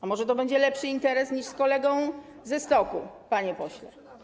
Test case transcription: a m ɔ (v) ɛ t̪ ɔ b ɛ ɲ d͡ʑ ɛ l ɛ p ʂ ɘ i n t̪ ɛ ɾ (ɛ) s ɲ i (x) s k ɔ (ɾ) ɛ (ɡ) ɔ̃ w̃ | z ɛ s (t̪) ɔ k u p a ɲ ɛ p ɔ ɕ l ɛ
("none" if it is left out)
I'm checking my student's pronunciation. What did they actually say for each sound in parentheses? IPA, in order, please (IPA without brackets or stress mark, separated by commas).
ʐ, ɛ, ʂ, l, ɡ, t̪